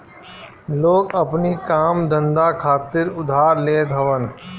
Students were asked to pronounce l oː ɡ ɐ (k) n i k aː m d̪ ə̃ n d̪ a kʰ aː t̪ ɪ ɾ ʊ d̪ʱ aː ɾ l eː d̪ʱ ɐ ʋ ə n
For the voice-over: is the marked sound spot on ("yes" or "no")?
no